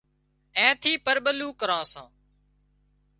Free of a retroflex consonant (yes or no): yes